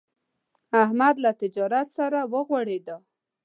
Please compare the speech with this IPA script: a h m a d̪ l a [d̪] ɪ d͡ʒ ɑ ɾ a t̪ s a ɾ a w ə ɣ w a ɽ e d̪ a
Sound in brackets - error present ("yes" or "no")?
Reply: yes